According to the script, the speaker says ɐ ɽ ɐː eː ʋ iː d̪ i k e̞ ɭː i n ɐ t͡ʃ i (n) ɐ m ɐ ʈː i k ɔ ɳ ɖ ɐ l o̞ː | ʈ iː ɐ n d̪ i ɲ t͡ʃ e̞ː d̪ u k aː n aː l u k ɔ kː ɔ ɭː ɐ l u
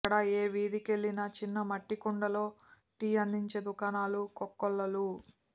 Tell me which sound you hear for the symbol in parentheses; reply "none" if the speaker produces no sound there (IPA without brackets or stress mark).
nː